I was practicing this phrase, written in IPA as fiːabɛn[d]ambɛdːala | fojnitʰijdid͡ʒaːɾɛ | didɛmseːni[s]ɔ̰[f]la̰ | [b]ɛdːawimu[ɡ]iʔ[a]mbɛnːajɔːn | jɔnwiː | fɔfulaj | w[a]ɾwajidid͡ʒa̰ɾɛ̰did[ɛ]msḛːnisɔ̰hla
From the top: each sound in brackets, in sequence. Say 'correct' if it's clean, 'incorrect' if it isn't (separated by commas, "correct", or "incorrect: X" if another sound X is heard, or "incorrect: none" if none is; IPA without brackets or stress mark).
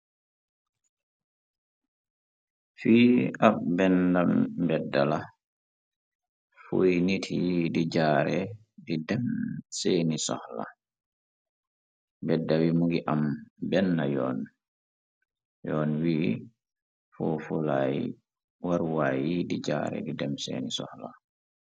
correct, correct, incorrect: h, correct, correct, correct, correct, correct